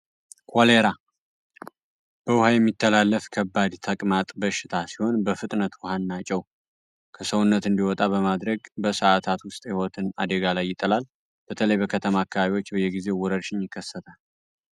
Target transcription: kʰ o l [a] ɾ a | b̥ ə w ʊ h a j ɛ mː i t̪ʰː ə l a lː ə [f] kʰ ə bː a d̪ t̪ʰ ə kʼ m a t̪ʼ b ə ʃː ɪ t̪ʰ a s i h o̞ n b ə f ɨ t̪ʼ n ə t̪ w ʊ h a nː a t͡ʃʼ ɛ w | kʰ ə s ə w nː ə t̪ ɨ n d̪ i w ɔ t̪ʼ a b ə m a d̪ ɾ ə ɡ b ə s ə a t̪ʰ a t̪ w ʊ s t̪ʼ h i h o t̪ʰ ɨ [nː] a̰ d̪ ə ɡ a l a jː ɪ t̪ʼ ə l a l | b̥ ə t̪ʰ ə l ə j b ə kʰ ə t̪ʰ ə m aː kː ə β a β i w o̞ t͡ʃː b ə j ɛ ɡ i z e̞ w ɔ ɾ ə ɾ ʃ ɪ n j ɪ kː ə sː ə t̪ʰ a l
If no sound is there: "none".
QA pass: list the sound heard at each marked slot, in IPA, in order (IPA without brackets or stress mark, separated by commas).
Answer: e, f, n